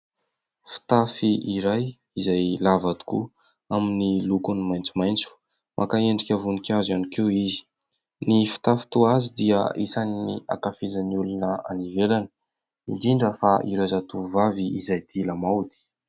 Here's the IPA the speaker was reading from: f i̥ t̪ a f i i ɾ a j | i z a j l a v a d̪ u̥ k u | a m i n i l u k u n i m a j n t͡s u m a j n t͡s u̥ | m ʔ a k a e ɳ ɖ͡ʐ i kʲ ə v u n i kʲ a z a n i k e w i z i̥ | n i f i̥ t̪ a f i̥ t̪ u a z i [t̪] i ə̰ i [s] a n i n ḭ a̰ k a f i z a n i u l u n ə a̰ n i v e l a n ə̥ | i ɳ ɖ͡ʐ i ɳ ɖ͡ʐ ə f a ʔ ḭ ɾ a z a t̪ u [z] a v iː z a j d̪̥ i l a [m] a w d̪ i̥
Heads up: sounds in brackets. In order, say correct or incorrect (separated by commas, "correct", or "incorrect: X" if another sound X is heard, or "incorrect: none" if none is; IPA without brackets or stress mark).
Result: incorrect: d̪, correct, incorrect: v, correct